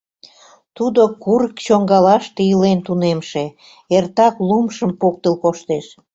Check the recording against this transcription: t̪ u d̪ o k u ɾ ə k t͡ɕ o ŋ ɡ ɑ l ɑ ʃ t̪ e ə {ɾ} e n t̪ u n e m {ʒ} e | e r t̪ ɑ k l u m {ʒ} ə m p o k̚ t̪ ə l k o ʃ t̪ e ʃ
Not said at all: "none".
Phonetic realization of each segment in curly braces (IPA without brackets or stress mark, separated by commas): l, ʃ, ʃ